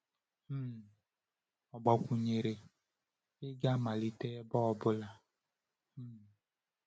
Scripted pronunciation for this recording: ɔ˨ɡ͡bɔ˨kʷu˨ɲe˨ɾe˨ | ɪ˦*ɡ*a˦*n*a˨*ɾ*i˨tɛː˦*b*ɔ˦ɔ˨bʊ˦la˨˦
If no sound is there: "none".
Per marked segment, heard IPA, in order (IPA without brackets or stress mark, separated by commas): ɡ, m, l, b